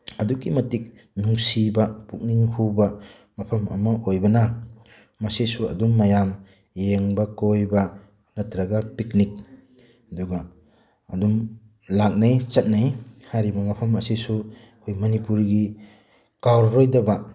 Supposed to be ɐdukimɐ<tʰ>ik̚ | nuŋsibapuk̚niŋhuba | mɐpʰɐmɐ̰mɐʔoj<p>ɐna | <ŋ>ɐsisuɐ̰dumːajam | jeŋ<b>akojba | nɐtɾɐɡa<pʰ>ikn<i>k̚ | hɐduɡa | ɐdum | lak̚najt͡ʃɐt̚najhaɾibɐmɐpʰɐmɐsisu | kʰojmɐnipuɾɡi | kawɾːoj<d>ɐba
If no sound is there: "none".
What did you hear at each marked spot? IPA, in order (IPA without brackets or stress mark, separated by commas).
t, b, m, b, p, i, d